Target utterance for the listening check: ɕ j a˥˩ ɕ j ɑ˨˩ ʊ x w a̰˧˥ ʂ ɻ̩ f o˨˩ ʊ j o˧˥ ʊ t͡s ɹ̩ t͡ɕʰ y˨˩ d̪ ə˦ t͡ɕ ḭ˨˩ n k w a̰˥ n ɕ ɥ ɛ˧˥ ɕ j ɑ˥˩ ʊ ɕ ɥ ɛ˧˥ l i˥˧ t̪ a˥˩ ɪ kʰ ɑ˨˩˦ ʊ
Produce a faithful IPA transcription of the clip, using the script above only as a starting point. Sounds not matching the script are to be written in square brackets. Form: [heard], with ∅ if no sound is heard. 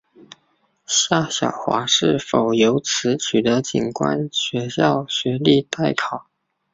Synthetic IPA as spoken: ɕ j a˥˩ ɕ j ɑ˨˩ ʊ x w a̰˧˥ ʂ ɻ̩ f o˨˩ ʊ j o˧˥ ʊ [t͡sʰ] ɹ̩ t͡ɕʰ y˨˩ d̪ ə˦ t͡ɕ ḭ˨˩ n k w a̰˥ n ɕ ɥ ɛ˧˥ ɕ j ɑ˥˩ ʊ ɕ ɥ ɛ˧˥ l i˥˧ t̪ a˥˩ ɪ kʰ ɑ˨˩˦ ʊ